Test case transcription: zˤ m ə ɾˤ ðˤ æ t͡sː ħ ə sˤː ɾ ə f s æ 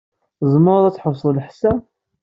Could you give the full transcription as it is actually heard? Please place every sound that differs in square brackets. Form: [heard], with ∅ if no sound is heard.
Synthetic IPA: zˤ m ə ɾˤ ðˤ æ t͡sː ħ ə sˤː [l] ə [ħ] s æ